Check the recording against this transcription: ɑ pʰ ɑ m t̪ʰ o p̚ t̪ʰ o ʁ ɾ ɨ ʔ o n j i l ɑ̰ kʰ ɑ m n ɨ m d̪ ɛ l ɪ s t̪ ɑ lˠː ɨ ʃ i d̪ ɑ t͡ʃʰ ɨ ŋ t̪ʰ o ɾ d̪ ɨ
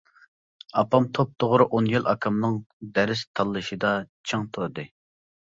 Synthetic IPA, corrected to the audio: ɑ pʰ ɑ m t̪ʰ o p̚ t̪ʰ o ʁ ɾ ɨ ʔ o n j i l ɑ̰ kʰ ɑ m n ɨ ŋ d̪ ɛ ɾ ɪ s t̪ʰ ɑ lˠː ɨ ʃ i d̪ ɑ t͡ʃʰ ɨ ŋ t̪ʰ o ɾ d̪ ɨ